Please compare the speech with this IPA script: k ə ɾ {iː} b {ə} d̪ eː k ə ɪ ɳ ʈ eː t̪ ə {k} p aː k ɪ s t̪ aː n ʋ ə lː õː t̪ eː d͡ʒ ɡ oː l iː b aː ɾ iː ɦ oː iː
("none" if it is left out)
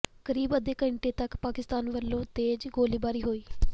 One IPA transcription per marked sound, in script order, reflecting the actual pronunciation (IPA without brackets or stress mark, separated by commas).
iː, ə, k